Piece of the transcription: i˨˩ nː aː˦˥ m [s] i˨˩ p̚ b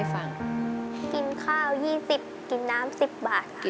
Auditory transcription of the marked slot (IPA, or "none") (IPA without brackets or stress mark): s